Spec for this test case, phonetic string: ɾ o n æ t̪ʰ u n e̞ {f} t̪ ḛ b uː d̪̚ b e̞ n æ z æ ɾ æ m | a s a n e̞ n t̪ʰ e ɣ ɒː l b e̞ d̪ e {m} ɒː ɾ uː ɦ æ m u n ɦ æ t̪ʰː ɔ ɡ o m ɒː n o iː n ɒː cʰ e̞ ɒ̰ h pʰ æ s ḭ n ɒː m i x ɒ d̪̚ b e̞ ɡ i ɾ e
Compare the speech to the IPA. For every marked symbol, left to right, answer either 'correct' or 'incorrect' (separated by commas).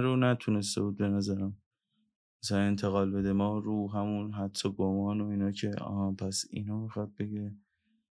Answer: incorrect, correct